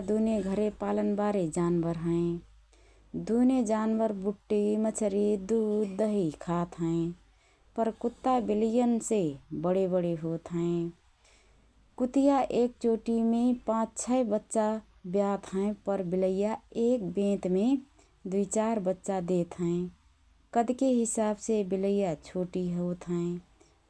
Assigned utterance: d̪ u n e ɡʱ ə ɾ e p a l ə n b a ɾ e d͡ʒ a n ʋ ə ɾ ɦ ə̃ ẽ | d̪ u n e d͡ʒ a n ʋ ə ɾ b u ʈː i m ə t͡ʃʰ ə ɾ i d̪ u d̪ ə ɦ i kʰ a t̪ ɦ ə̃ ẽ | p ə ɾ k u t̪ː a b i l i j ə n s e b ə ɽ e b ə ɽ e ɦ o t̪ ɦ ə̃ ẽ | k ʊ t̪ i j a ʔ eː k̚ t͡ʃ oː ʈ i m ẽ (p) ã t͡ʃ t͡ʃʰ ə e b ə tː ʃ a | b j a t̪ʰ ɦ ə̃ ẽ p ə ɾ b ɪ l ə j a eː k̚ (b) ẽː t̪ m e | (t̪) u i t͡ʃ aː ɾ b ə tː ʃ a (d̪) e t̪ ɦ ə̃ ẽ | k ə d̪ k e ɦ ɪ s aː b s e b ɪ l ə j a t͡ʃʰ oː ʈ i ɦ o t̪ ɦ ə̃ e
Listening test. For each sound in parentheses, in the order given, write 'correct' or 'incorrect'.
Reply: correct, correct, incorrect: d̪, correct

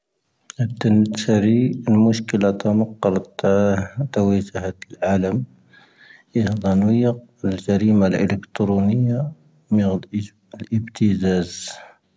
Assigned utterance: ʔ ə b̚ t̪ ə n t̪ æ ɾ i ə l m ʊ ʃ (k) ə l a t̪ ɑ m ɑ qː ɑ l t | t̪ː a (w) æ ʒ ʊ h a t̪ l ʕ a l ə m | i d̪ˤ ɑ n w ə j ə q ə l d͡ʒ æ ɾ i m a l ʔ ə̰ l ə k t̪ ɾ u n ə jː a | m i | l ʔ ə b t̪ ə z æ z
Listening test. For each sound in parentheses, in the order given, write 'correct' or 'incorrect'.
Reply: correct, correct

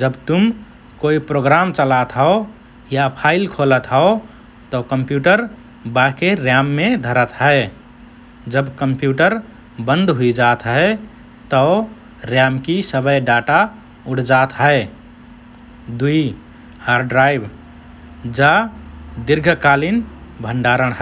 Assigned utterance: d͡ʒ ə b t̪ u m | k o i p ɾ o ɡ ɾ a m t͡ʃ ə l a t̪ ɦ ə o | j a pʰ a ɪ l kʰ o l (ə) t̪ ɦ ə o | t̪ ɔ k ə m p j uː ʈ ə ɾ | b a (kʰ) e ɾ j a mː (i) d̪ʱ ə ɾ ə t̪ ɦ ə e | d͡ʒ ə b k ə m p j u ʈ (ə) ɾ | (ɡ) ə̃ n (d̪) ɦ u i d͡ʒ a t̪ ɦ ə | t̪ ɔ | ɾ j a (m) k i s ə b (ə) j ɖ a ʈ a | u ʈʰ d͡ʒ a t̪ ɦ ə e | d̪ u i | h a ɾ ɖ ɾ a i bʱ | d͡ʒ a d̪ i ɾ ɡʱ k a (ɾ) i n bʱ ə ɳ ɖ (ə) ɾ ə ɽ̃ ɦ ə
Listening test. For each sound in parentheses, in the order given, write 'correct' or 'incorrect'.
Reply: correct, incorrect: k, incorrect: e, correct, incorrect: b, correct, correct, correct, incorrect: l, incorrect: a

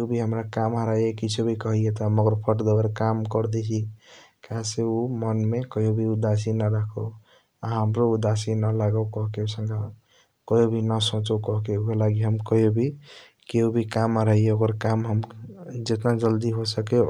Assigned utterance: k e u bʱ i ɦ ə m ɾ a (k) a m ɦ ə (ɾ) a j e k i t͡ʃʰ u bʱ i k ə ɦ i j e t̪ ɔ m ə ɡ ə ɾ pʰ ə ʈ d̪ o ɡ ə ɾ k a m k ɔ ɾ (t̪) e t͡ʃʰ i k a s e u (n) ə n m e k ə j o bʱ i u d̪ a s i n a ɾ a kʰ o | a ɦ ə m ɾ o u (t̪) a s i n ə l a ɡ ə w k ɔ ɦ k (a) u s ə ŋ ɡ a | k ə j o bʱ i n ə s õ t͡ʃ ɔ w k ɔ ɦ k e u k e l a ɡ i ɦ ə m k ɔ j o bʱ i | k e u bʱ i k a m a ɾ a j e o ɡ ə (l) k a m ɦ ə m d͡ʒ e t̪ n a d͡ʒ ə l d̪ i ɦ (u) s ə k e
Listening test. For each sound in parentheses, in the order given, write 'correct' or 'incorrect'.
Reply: correct, correct, incorrect: d̪, incorrect: m, incorrect: d̪, incorrect: e, incorrect: ɾ, incorrect: o

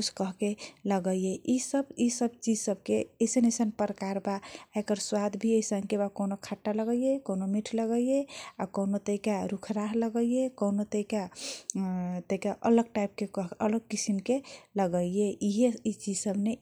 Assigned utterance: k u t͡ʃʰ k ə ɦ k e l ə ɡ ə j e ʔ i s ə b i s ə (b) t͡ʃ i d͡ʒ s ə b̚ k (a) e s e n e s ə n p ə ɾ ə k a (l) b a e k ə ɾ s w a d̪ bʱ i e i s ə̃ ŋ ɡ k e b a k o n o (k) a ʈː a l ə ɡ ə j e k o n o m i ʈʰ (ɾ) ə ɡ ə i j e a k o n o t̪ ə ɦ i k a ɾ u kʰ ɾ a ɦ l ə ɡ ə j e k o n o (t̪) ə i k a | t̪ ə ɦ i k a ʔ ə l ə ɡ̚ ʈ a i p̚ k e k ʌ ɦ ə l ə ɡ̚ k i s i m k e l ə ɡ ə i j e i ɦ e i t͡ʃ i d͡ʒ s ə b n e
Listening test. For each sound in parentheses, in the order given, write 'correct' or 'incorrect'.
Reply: correct, incorrect: e, incorrect: ɾ, incorrect: kʰ, incorrect: l, correct

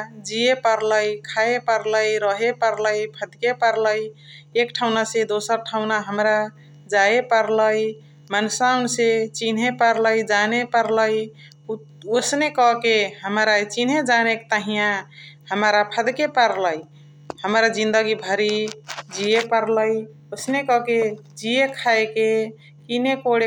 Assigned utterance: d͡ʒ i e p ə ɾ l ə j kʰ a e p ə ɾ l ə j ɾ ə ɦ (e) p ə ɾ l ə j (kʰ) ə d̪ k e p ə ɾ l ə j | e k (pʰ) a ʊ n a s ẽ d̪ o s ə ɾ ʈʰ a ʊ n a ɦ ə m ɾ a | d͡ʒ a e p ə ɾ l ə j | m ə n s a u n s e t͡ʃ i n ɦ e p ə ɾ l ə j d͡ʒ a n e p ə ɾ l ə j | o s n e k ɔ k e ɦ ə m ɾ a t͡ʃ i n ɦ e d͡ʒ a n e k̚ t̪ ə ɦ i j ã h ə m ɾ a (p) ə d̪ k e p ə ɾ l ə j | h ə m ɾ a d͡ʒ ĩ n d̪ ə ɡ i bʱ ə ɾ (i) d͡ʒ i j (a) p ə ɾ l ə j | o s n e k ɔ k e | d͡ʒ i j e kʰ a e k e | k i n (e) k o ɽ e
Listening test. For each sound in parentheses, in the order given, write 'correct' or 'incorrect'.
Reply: correct, incorrect: pʰ, incorrect: ʈʰ, incorrect: pʰ, correct, incorrect: e, correct

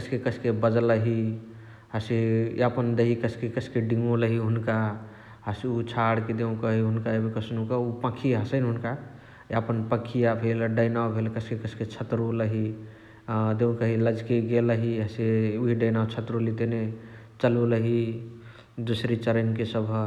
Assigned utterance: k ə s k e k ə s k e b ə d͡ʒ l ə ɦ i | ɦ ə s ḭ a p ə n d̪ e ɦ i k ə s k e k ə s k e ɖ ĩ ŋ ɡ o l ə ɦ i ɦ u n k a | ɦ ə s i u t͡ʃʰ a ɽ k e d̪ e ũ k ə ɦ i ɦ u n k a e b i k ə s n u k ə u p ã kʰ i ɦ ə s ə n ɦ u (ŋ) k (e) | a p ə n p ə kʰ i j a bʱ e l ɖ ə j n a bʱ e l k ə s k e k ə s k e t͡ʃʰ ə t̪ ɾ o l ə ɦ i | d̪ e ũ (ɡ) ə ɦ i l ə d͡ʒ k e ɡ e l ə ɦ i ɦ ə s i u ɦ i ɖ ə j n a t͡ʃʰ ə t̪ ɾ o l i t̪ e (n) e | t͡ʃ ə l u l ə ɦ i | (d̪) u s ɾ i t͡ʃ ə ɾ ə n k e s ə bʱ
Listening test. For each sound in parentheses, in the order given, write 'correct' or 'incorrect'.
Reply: incorrect: n, incorrect: a, incorrect: k, correct, correct

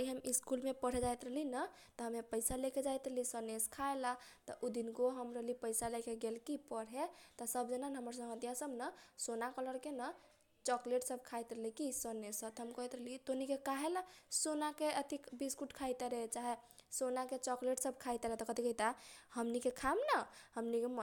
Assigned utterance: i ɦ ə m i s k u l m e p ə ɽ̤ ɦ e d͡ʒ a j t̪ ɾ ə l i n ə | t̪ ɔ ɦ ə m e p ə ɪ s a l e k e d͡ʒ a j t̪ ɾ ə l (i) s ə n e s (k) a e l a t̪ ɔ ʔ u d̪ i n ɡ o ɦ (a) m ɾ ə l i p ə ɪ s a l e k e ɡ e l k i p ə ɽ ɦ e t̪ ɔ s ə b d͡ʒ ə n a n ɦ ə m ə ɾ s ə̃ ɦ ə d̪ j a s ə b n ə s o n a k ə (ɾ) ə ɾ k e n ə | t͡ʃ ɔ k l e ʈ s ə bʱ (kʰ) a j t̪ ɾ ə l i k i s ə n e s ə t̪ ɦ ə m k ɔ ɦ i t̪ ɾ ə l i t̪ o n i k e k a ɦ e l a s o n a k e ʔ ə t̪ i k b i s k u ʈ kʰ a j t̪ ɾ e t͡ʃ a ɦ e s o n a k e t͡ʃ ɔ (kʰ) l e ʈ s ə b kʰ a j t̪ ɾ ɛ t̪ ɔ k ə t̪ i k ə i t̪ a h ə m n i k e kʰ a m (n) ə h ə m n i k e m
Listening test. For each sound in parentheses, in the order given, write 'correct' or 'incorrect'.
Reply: correct, incorrect: kʰ, incorrect: ə, incorrect: l, correct, incorrect: k, correct

